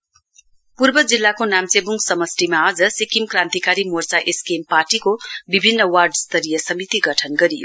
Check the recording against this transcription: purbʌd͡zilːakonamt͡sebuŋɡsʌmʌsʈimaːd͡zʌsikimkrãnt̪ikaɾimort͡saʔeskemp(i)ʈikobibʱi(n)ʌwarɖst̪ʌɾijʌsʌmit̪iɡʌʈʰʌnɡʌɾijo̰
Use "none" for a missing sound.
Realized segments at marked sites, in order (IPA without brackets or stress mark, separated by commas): a, nː